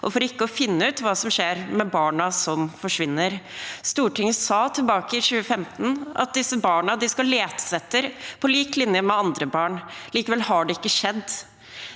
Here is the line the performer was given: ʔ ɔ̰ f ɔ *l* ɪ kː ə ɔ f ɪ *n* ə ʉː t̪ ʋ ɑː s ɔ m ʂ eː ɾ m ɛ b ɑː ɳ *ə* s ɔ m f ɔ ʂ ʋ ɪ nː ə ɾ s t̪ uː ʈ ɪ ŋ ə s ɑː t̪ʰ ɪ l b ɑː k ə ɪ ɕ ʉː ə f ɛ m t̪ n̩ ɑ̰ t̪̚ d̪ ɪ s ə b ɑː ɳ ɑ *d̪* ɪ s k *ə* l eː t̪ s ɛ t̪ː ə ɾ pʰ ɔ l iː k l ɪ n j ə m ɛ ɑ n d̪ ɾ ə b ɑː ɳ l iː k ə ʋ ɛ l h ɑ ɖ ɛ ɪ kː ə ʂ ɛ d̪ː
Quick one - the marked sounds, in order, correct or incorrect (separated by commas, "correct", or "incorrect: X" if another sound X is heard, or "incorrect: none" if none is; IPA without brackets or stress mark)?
incorrect: ɾ, incorrect: nː, incorrect: ɑ, correct, incorrect: ɑ